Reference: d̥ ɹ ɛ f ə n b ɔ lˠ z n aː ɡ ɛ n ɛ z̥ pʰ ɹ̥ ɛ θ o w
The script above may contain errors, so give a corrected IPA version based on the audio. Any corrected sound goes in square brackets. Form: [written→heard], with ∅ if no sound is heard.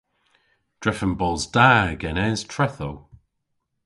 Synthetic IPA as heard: d̥ ɹ ɛ f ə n b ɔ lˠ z [n→d] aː ɡ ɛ n ɛ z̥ [pʰ→tʰ] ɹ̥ ɛ θ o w